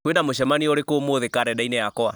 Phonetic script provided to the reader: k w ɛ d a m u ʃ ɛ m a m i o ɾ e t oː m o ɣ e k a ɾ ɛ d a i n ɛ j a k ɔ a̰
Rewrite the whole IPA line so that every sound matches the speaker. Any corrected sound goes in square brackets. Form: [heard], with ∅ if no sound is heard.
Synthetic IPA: k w [e] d a m [o] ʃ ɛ m a [n] i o ɾ e [k] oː m o [ð] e k a ɾ ɛ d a i n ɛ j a k ɔ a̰